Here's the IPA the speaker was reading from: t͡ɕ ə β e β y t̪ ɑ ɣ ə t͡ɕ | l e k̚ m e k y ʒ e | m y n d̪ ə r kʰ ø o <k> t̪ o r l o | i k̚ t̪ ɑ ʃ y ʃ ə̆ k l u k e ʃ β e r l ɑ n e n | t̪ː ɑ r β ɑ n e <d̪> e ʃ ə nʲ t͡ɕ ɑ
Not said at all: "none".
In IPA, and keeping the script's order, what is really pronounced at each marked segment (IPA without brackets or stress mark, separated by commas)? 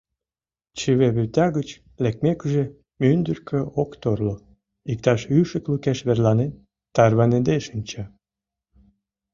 k, d̪